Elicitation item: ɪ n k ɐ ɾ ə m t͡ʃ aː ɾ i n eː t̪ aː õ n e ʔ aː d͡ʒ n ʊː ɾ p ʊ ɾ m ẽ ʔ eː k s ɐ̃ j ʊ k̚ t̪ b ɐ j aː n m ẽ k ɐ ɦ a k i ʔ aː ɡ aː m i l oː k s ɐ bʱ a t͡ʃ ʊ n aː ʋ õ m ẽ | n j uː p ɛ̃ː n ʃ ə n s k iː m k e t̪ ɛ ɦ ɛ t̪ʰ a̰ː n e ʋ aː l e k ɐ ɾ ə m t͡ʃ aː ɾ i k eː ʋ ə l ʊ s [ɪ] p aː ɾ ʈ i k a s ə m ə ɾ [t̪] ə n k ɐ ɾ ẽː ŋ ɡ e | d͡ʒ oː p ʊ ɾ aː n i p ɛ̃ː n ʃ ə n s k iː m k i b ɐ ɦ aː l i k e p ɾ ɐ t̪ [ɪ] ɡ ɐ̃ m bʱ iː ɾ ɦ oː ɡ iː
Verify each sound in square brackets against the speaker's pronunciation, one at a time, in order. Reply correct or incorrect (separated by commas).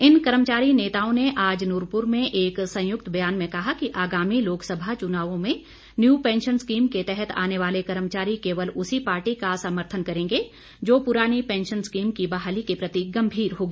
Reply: incorrect, incorrect, incorrect